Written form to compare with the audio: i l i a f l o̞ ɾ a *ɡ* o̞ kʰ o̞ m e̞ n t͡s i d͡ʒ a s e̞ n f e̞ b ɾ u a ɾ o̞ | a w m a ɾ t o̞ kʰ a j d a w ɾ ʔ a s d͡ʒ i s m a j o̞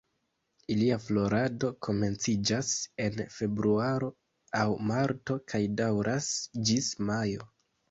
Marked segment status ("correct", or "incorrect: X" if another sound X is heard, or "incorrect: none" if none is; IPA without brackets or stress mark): incorrect: d